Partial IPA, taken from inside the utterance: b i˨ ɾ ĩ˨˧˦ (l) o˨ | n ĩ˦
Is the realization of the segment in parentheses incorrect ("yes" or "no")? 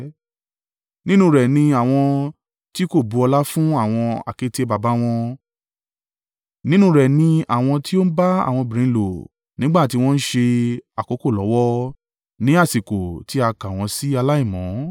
no